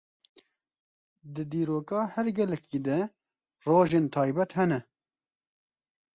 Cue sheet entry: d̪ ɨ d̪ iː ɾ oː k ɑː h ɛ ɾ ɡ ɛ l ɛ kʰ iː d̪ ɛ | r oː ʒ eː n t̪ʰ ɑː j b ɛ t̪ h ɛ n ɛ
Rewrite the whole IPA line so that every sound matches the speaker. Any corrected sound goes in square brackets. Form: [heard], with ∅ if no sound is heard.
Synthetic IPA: d̪ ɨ d̪ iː ɾ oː k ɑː h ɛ ɾ ɡ ɛ l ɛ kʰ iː d̪ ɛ | r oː ʒ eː n t̪ʰ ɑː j b ɛ t̪ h ɛ n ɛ

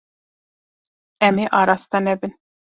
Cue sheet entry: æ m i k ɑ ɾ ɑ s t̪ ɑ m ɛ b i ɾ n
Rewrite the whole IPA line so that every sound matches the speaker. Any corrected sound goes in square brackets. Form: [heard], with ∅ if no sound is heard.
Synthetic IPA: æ m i [ʔ] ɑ ɾ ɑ s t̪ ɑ [n] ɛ b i [∅] n

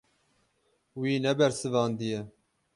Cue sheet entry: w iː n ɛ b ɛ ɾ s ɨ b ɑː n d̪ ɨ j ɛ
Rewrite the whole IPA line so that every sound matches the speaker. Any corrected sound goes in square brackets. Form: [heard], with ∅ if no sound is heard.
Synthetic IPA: w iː n ɛ b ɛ ɾ s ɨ [v] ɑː n d̪ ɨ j ɛ

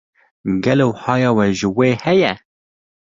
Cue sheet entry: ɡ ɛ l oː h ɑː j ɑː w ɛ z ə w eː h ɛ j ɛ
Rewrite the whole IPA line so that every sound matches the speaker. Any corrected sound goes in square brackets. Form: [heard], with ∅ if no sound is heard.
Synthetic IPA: ɡ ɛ l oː h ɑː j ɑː w ɛ [ʒ] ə w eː h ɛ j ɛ

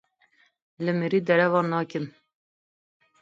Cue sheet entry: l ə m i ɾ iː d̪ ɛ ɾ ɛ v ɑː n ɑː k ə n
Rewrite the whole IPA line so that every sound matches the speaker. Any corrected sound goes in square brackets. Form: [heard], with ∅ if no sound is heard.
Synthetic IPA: l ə m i ɾ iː d̪ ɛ ɾ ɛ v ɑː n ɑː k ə n

